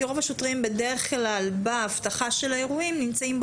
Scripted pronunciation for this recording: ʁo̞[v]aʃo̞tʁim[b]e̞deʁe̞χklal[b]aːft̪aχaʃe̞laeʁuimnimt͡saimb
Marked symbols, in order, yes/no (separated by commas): yes, yes, yes